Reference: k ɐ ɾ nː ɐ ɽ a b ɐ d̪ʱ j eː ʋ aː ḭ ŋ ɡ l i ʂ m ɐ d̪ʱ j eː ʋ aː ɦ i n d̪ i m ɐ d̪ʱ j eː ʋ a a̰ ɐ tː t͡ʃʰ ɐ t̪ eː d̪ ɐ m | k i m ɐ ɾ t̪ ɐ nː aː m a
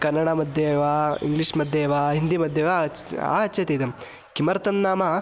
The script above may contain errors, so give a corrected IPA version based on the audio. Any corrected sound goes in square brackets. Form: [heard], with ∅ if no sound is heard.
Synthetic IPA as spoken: k ɐ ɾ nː ɐ ɽ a [m] ɐ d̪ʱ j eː ʋ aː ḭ ŋ ɡ l i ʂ m ɐ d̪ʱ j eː ʋ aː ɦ i n d̪ i m ɐ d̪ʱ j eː ʋ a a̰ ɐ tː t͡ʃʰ ɐ t̪ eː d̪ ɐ m | k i m ɐ ɾ t̪ ɐ nː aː m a